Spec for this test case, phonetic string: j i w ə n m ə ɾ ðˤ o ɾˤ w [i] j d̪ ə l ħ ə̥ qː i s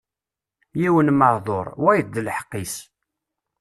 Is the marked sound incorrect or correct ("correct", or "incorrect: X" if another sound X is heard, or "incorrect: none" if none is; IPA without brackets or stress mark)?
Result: incorrect: æ